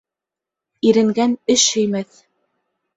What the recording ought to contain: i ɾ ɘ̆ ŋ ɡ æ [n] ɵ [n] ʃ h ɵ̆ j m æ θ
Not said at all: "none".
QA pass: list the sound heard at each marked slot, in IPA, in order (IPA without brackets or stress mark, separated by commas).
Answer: n, none